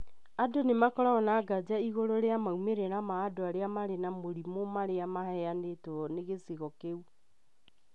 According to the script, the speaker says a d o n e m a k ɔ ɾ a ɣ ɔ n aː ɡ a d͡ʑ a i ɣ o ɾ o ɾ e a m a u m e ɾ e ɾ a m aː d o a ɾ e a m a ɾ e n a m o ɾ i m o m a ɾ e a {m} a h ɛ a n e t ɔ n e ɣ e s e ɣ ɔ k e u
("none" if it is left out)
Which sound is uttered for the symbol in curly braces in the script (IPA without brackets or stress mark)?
m